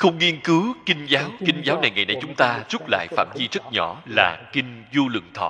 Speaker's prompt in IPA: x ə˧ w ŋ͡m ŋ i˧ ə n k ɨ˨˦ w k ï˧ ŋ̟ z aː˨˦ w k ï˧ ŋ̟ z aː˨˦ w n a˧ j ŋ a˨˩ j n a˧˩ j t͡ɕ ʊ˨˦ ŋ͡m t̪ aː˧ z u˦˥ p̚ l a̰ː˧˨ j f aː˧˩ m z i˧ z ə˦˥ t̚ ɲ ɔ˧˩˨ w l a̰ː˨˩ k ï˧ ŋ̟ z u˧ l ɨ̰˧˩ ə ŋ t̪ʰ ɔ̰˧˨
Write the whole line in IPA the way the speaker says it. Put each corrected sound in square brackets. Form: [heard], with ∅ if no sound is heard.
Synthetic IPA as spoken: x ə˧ w ŋ͡m ŋ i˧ ə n k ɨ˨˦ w k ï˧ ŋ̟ z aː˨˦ w k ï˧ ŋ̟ z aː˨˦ w n [a˨˩] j ŋ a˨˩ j n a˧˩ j t͡ɕ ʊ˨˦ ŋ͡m t̪ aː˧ z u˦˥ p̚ l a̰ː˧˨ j f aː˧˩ m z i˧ z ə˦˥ t̚ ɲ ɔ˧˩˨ [∅] l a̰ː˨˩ k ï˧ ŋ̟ z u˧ l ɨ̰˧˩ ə ŋ t̪ʰ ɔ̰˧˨